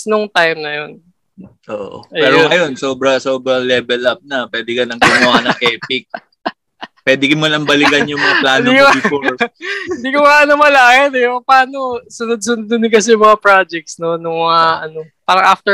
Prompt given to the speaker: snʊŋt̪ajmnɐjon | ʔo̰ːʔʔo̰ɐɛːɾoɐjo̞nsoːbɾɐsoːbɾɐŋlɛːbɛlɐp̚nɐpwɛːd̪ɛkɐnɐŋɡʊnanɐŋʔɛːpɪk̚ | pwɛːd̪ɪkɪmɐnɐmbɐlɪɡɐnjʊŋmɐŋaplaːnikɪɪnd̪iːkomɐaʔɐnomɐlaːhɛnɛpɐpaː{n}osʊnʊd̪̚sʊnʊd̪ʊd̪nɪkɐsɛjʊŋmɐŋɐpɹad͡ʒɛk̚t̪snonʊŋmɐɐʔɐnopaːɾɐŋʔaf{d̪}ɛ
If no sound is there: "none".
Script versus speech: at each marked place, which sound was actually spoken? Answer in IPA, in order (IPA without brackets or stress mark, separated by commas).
n, t̪